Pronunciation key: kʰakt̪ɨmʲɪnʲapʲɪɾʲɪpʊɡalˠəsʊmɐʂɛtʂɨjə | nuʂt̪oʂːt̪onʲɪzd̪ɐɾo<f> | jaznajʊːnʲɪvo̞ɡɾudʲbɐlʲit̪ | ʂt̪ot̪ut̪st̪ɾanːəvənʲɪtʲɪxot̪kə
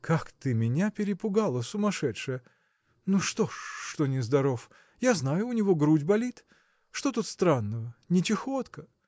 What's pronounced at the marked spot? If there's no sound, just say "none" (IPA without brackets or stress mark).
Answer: f